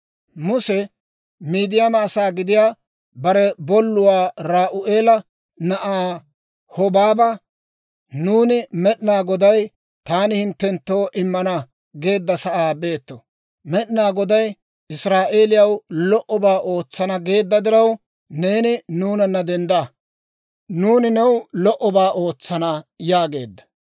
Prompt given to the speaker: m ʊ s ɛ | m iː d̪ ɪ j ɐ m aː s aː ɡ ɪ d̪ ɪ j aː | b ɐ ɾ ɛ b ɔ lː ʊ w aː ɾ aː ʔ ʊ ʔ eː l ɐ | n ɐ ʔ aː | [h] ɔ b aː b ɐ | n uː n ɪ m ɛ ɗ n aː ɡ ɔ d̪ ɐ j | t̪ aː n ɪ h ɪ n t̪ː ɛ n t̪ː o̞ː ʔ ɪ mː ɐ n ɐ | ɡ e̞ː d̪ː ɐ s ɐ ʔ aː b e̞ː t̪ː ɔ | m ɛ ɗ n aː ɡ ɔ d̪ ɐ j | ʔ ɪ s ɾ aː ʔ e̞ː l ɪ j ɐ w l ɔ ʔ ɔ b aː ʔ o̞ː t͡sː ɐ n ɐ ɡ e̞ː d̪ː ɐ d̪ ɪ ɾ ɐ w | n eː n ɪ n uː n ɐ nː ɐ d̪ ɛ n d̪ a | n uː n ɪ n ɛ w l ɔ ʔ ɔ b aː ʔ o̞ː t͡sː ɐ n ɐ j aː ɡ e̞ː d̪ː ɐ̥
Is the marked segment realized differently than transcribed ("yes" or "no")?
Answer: no